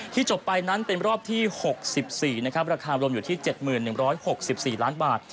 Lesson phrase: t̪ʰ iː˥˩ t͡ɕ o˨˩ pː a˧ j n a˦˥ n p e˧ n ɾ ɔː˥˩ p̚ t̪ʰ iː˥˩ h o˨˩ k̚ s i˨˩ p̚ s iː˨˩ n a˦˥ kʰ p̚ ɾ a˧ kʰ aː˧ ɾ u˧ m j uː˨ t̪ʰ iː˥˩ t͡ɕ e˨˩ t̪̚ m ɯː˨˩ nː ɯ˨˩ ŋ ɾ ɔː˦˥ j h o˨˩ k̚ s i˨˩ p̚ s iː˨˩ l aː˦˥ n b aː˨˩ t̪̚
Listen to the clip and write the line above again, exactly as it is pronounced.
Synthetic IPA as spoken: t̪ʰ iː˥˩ t͡ɕ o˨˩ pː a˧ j n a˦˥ n p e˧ n ɾ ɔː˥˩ p̚ t̪ʰ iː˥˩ h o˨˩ k̚ s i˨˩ p̚ s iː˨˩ n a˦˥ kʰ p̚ ɾ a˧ kʰ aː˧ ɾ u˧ m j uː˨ t̪ʰ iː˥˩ t͡ɕ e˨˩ t̪̚ m ɯː˨˩ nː ɯ˨˩ ŋ ɾ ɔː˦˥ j h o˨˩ k̚ s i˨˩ p̚ s iː˨˩ l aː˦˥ n b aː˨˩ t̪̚